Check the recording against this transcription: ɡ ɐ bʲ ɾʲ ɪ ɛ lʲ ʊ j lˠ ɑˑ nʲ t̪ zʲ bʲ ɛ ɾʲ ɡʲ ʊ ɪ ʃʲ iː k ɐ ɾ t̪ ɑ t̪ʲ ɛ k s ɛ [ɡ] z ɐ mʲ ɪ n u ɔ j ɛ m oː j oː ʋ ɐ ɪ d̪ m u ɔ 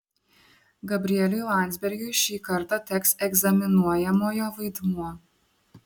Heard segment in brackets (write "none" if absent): ɡ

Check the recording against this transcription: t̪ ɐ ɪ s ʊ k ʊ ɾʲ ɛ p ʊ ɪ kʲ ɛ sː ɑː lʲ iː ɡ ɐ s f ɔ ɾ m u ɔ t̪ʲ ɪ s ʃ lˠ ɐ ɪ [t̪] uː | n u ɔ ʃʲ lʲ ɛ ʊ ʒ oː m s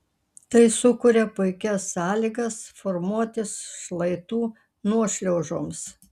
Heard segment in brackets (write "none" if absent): t̪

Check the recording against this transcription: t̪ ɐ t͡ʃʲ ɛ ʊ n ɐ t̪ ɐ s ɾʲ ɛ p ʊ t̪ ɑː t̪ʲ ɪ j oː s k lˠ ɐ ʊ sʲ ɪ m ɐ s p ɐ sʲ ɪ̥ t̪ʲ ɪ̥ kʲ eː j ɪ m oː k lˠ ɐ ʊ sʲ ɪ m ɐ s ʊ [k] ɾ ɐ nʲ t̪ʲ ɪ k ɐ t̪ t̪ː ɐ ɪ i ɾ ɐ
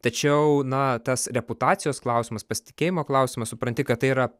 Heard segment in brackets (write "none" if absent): p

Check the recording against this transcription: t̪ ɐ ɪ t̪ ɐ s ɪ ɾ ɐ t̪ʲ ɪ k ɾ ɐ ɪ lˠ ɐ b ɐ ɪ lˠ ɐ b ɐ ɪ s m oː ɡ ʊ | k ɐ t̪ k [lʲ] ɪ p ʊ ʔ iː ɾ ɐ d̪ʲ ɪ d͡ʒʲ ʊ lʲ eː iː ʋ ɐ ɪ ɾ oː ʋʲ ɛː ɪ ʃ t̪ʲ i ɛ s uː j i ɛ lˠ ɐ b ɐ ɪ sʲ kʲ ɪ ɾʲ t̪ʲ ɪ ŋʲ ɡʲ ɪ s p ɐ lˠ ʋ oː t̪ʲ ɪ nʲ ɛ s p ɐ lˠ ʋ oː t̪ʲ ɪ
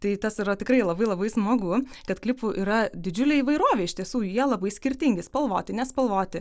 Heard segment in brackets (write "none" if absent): lʲ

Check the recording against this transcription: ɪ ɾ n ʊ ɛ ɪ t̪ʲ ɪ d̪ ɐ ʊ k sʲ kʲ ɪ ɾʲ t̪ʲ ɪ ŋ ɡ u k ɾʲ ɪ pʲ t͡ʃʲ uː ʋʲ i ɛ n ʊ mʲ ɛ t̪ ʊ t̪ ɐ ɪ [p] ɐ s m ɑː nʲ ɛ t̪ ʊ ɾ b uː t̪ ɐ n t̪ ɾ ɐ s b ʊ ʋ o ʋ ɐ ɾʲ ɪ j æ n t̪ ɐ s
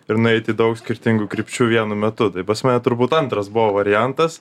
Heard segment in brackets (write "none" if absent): p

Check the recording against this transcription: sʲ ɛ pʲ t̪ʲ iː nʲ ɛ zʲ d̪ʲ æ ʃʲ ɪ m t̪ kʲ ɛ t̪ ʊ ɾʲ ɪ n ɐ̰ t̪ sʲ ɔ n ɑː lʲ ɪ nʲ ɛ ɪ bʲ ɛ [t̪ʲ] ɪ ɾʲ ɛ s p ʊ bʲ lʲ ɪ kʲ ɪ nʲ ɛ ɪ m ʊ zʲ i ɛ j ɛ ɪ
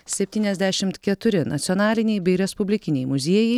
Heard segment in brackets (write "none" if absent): none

